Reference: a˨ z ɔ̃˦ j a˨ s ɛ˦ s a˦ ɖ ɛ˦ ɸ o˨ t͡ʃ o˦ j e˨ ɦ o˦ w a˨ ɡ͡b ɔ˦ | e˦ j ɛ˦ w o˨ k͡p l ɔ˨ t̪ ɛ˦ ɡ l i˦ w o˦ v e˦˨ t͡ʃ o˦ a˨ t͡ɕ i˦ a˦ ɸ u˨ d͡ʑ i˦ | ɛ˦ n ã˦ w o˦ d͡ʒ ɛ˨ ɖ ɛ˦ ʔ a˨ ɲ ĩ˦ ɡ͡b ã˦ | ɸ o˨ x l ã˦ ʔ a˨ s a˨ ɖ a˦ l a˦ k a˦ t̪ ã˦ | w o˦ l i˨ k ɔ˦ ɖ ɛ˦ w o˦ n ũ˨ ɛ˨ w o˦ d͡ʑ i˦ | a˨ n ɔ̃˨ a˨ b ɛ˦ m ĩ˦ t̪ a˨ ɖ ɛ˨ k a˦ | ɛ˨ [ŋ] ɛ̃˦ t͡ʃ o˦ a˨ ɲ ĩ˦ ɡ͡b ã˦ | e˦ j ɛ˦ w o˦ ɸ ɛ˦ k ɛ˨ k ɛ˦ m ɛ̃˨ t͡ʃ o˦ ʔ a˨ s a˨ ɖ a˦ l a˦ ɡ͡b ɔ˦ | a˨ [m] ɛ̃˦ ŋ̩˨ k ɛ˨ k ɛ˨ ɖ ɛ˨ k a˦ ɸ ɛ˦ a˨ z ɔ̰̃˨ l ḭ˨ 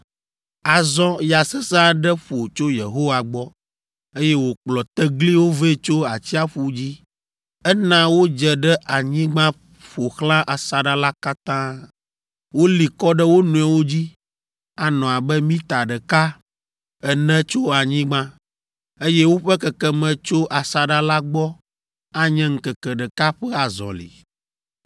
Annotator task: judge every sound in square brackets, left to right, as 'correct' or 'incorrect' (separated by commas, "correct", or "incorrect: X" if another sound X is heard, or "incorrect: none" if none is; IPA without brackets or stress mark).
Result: incorrect: n, incorrect: ɲ